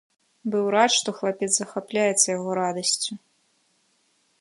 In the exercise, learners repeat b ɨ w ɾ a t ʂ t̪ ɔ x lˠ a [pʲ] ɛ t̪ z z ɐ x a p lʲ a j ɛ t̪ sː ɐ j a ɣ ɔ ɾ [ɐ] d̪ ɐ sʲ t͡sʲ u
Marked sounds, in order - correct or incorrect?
correct, incorrect: a

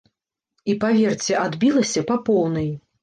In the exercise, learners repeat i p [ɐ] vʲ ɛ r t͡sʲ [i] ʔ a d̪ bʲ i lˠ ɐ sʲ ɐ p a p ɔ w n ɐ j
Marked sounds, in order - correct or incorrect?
incorrect: a, incorrect: ɛ

